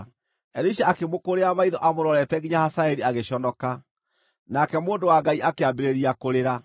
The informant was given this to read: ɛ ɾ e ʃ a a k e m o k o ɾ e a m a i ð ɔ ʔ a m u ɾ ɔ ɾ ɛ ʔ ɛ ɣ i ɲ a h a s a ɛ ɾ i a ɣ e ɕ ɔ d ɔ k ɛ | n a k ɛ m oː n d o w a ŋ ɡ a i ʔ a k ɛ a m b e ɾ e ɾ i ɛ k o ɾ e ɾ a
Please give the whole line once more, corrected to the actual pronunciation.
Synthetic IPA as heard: ɛ ɾ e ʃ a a k e m o k o ɾ e a m a i ð ɔ ʔ a m o ɾ ɔ ɾ ɛ t ɛ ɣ i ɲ a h a s a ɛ ɾ i a ɣ e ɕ ɔ n ɔ k a | n a k ɛ m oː n d o w a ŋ ɡ a i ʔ a k e a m b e ɾ e ɾ i a k o ɾ e ɾ a